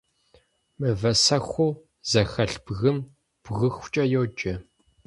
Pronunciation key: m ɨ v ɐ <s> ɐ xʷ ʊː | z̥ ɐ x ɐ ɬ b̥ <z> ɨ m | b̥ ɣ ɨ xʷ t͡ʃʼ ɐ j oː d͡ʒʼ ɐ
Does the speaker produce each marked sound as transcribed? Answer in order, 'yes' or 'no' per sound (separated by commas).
yes, no